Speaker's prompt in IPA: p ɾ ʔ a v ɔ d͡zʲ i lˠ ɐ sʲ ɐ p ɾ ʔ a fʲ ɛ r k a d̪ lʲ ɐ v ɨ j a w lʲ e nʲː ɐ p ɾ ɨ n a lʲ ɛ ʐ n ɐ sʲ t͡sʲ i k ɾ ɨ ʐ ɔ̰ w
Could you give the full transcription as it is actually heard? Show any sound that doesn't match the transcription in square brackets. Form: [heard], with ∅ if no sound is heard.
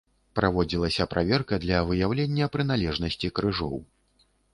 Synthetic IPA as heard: p ɾ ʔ a v ɔ d͡zʲ i lˠ ɐ sʲ ɐ p ɾ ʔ a [vʲ] ɛ r k [ɐ] d̪ lʲ ɐ v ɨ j a w lʲ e nʲː ɐ p ɾ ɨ n a lʲ ɛ ʐ n ɐ sʲ t͡sʲ i k ɾ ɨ ʐ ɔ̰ w